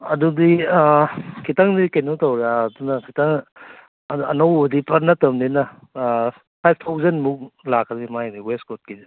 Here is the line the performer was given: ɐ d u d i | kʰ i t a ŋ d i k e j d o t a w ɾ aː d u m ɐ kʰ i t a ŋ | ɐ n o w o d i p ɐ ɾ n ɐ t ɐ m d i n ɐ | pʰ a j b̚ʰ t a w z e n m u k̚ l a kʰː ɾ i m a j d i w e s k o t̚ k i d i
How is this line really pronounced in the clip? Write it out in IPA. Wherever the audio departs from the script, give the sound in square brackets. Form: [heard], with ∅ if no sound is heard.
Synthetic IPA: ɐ d u d i | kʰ i t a ŋ d i k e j [n] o t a w ɾ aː d u [n] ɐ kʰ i t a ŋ | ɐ n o w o d i p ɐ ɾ n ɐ t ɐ m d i n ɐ | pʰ a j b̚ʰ [tʰ] a w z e n m u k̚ l a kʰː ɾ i m a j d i w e s k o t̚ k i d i